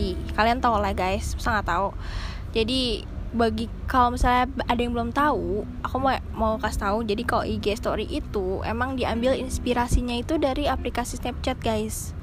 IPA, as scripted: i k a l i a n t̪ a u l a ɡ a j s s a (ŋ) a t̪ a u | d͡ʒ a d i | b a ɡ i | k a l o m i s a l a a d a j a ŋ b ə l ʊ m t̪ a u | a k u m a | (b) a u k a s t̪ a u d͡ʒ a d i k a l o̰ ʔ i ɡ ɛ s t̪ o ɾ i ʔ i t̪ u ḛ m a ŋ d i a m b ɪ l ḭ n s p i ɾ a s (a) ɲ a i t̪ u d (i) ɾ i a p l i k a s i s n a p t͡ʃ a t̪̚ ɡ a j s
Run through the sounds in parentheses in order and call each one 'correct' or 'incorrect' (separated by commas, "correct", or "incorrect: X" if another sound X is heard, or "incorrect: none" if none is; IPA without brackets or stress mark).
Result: correct, incorrect: m, incorrect: i, incorrect: a